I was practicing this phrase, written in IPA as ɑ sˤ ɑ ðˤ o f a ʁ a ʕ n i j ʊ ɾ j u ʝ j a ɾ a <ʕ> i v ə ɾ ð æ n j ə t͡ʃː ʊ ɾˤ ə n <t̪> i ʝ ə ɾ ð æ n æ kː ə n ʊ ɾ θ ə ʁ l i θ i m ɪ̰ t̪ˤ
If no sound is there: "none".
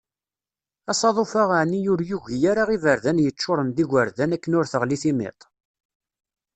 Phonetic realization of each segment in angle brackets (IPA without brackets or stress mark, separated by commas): ʁ, d̪